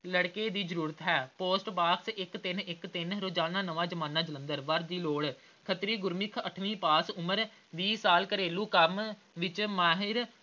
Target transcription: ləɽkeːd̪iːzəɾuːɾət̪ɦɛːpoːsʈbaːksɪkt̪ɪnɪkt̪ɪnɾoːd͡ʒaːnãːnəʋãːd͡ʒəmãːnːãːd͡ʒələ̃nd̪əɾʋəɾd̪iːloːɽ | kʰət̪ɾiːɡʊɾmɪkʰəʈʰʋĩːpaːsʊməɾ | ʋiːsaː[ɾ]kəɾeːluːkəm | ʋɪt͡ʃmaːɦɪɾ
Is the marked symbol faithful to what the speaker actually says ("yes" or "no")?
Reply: no